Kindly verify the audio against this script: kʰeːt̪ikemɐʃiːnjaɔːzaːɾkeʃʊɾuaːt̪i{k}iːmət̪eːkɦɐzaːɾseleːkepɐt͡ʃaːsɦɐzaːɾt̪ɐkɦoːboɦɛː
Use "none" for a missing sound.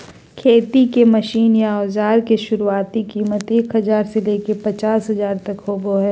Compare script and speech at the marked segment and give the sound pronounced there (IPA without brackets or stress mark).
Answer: k